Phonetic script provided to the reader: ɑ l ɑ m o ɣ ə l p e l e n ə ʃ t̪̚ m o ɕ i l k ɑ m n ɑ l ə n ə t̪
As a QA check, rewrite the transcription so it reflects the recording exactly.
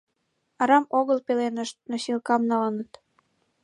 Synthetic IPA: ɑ ɾ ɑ m o ɣ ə l p e l e n ə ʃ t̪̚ n o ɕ i l k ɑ m n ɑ l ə n ə t̪